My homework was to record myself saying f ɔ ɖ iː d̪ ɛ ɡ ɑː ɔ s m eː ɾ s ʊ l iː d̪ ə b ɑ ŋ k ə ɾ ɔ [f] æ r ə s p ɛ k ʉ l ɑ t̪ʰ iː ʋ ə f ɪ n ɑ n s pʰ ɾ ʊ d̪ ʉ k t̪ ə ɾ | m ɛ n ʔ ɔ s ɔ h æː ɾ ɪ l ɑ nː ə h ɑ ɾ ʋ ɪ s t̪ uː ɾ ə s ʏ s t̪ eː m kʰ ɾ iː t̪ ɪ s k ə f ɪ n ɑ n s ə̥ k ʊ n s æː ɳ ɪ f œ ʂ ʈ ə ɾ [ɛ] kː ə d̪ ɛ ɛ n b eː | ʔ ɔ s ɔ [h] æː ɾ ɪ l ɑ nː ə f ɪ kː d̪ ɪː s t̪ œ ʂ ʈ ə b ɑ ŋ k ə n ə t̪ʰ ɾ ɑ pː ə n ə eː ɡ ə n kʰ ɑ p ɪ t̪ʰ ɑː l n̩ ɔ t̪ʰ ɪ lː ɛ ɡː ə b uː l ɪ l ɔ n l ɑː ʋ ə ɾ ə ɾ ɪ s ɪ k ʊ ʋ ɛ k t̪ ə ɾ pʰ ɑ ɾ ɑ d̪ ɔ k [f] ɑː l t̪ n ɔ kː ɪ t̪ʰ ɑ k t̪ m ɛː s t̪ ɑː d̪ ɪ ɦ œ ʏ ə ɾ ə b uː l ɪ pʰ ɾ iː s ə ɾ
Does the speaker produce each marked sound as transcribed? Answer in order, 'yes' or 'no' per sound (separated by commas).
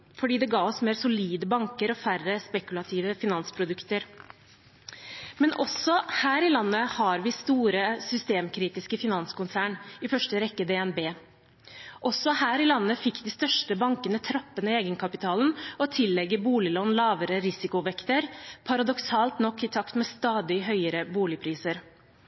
yes, yes, yes, no